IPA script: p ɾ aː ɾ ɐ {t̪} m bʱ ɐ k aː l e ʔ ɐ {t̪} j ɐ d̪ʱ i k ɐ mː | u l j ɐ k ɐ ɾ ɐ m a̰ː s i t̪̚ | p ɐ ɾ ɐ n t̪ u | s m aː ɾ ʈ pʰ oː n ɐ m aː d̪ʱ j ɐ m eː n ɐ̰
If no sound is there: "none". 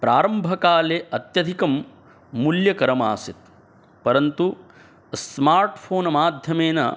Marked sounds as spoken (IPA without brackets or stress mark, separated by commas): none, t̪